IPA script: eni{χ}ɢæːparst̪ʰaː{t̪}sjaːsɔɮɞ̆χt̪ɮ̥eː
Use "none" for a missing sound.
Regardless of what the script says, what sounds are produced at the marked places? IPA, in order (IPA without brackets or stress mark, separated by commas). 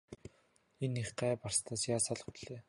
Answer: χ, none